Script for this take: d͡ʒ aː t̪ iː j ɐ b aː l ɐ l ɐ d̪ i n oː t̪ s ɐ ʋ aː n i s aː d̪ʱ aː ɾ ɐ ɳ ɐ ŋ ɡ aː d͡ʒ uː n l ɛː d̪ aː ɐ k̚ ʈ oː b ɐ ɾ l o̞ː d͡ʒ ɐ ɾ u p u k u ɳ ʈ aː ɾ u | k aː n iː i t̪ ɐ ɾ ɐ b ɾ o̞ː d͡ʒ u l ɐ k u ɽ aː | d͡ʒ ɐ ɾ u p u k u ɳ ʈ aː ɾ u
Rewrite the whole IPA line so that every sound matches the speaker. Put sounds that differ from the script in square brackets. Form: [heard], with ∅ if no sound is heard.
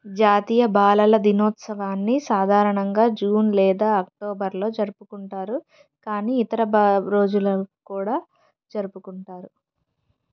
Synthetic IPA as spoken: d͡ʒ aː t̪ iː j ɐ b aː l ɐ l ɐ d̪ i n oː t̪ s ɐ ʋ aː [nː] i s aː d̪ʱ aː ɾ ɐ ɳ ɐ ŋ ɡ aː d͡ʒ uː n l ɛː d̪ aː ɐ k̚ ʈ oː b ɐ ɾ l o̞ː d͡ʒ ɐ ɾ u p u k u ɳ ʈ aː ɾ u | k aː n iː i t̪ ɐ ɾ ɐ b ɾ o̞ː d͡ʒ u l ɐ k [uː] ɽ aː | d͡ʒ ɐ ɾ u p u k u ɳ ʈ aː ɾ u

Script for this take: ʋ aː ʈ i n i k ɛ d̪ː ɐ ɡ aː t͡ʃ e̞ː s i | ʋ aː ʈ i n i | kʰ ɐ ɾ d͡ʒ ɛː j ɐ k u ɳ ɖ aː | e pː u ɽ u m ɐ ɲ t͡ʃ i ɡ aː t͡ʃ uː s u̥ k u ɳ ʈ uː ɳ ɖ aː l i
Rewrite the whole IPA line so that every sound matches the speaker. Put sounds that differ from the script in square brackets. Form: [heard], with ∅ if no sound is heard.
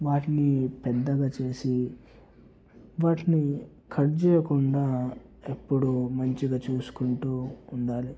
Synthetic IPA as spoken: ʋ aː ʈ i n i [p] ɛ d̪ː ɐ ɡ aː t͡ʃ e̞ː s i | ʋ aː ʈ i n i | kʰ ɐ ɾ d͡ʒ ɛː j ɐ k u ɳ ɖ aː | e pː u ɽ u m ɐ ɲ t͡ʃ i ɡ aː t͡ʃ uː s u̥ k u ɳ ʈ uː ɳ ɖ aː l i

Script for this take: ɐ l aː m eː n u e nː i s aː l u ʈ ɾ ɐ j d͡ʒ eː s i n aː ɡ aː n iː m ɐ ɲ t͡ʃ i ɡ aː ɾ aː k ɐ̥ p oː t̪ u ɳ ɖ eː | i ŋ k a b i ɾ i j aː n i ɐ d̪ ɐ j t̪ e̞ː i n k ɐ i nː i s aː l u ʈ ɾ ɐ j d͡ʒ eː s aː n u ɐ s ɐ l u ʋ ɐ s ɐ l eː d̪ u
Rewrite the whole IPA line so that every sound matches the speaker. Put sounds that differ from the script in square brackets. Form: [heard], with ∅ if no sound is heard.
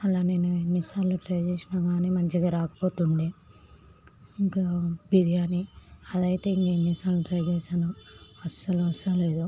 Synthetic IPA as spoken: ɐ l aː [n] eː n u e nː i s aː l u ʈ ɾ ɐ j d͡ʒ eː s i n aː ɡ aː n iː m ɐ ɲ t͡ʃ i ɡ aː ɾ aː k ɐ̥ p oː t̪ u ɳ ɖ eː | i ŋ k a b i ɾ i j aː n i ɐ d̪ ɐ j t̪ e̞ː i [ŋ] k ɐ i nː i s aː l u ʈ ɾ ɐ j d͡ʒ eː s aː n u ɐ s ɐ l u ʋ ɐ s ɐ l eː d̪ u

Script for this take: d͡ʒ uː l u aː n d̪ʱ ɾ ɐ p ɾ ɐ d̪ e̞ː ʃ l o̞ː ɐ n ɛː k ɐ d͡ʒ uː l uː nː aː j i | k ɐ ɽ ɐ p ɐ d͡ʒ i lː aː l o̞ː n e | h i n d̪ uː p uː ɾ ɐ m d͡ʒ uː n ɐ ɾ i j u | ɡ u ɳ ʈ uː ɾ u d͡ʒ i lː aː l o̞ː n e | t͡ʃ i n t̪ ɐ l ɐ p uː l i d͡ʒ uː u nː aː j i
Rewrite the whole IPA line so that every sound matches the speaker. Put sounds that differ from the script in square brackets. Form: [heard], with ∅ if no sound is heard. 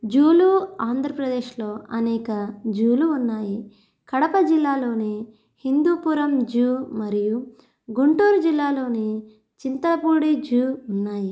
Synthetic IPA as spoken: d͡ʒ uː l u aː n d̪ʱ ɾ ɐ p ɾ ɐ d̪ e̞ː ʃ l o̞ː ɐ n ɛː k ɐ d͡ʒ uː l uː nː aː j i | k ɐ ɽ ɐ p ɐ d͡ʒ i lː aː l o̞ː n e | h i n d̪ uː p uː ɾ ɐ m d͡ʒ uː [m] ɐ ɾ i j u | ɡ u ɳ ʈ uː ɾ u d͡ʒ i lː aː l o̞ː n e | t͡ʃ i n t̪ ɐ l ɐ p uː [ɽ] i d͡ʒ uː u nː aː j i

